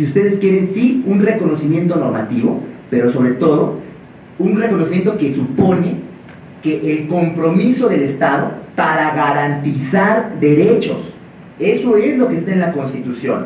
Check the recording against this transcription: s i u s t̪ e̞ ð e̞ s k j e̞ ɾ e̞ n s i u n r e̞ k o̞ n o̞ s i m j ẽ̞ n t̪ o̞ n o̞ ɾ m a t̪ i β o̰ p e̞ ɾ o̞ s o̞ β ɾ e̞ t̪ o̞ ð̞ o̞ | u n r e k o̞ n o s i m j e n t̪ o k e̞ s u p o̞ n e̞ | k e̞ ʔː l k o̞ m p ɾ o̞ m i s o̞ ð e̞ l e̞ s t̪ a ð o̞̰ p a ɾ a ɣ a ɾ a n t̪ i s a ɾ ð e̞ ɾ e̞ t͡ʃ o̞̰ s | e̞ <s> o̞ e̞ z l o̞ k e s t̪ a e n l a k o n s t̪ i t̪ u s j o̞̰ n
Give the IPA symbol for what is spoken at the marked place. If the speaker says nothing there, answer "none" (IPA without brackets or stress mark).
s